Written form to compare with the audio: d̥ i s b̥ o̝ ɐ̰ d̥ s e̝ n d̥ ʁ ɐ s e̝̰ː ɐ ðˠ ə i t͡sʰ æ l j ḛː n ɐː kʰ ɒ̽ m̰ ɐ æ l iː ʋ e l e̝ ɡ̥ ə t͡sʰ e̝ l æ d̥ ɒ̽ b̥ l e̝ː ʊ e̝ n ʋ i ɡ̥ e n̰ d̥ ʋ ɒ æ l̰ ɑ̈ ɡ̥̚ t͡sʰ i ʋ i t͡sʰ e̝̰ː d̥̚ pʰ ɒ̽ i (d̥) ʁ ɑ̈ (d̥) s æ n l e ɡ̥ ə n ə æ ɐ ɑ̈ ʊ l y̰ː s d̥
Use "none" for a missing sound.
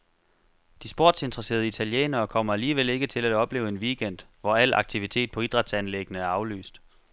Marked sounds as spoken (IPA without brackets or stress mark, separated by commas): d̥, d̥